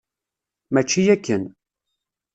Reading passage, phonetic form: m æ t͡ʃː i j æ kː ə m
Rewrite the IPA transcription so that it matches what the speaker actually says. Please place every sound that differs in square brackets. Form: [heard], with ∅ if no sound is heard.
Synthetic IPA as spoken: m æ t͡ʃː i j æ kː ə [n]